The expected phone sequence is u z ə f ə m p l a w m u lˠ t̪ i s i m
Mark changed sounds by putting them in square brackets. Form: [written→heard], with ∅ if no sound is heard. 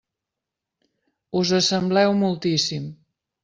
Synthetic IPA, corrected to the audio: u z ə [f→s] ə m [p→b] l [a→ɛ] w m u lˠ t̪ i s i m